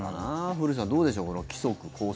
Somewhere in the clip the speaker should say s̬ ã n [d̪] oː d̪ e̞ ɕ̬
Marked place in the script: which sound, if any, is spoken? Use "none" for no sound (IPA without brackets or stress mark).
d̪